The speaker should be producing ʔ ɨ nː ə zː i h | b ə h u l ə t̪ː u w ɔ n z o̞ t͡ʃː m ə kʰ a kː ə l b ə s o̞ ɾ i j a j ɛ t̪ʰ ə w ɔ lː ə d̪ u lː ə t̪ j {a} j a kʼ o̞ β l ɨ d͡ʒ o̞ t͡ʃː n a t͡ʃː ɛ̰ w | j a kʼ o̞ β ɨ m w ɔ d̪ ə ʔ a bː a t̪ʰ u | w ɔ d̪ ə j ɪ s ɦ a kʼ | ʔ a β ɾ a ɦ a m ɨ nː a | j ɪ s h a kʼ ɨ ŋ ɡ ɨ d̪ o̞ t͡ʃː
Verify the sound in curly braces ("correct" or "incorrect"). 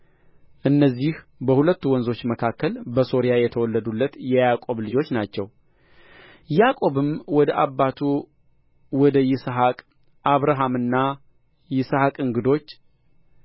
incorrect